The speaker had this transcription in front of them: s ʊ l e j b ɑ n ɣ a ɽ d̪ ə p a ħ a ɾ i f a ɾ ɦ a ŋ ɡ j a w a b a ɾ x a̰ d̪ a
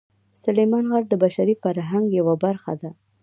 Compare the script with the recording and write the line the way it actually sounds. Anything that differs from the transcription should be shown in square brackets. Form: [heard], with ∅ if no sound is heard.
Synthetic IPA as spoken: s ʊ l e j [m] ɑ n ɣ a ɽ d̪ ə [b] a [ʃ] a ɾ i f a ɾ ɦ a ŋ ɡ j a w a b a ɾ x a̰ d̪ a